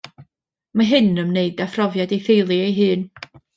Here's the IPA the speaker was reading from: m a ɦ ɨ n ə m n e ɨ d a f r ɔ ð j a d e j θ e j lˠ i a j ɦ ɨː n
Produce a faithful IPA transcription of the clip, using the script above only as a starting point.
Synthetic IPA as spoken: m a ɦ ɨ n ə m n e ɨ d a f r ɔ v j a d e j θ e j lˠ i e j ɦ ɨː n